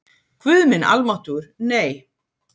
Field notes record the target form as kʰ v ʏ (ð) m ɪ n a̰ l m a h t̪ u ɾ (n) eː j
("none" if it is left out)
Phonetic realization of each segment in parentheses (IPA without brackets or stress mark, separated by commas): ð, n